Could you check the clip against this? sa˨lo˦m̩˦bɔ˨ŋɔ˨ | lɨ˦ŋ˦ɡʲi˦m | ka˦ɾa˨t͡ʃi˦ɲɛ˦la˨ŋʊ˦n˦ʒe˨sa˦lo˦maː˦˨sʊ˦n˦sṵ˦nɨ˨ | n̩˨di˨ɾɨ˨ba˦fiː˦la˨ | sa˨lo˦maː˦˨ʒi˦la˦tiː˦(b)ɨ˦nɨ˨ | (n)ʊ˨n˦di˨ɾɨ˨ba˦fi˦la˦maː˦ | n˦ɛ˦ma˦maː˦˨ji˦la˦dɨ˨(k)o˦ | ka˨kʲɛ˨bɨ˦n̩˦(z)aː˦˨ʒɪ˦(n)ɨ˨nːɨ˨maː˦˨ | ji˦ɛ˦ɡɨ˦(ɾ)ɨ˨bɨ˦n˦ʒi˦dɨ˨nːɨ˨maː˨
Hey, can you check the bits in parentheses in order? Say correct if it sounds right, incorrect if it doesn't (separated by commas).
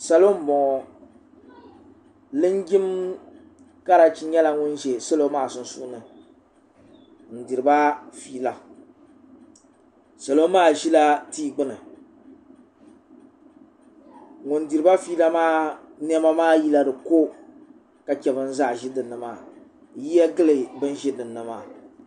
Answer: incorrect, incorrect, correct, correct, incorrect, incorrect